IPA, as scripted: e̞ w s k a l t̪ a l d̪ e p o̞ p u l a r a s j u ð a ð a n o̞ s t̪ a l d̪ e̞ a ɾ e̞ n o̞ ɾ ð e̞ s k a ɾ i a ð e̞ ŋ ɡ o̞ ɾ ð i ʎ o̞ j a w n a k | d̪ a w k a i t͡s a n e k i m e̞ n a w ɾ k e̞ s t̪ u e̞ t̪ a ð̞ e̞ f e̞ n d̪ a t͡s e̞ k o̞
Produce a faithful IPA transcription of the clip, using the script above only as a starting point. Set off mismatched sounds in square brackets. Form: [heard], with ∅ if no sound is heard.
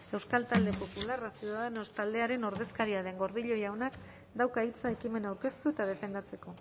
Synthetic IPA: e̞ w s k a l t̪ a l d̪ e p o̞ p u l a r a s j u ð a ð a n o̞ s t̪ a l d̪ e̞ a ɾ e̞ n o̞ ɾ ð e̞ s k a ɾ i a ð e̞ ŋ ɡ o̞ ɾ ð i ʎ o̞ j a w n a k | d̪ a w k a i t͡s a [∅] e k i m e̞ n a w ɾ k e̞ s t̪ u e̞ t̪ a ð̞ e̞ f e̞ n d̪ a t͡s e̞ k o̞